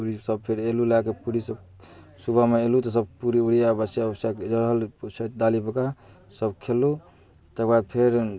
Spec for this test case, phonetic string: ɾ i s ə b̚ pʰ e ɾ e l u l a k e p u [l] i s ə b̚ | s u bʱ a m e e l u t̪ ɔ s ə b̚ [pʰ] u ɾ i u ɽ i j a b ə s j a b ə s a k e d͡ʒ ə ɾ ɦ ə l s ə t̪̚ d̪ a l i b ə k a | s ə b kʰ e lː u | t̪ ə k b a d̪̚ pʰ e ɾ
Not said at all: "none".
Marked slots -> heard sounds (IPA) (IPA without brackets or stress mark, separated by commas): ɾ, p